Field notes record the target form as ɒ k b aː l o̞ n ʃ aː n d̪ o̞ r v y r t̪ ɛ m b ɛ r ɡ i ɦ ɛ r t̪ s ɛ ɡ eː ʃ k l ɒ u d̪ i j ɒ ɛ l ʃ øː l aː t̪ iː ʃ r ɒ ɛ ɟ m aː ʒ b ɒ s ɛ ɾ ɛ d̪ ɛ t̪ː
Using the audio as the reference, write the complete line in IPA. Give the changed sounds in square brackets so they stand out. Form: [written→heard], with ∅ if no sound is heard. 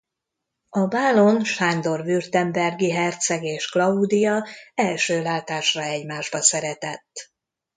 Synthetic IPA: ɒ [k→∅] b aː l o̞ n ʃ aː n d̪ o̞ r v y r t̪ ɛ m b ɛ r ɡ i ɦ ɛ r t̪ s ɛ ɡ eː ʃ k l ɒ u d̪ i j ɒ ɛ l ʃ øː l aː t̪ [iː→aː] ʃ r ɒ ɛ ɟ m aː ʒ b ɒ s ɛ ɾ ɛ [d̪→t̪] ɛ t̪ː